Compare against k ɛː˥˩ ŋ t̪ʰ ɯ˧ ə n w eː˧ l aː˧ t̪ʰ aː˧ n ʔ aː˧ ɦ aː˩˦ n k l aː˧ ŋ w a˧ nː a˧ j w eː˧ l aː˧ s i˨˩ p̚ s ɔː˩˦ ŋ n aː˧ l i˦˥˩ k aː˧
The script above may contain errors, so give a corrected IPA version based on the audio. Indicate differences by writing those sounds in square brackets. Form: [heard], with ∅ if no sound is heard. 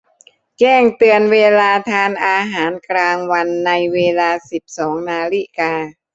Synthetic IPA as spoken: k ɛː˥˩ ŋ [t̪] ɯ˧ ə n w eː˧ l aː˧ t̪ʰ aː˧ n ʔ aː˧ ɦ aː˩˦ n k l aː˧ ŋ w a˧ nː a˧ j w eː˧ l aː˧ s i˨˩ p̚ s ɔː˩˦ ŋ n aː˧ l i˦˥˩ k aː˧